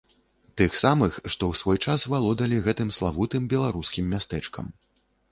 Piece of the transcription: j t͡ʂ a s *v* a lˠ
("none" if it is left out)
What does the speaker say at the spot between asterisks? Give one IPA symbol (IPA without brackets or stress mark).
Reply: v